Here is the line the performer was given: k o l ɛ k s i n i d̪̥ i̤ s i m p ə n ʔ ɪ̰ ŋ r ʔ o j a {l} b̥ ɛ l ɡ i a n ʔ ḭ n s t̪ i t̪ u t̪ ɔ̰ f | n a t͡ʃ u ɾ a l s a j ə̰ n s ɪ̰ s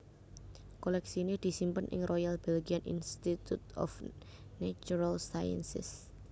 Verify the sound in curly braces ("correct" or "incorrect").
correct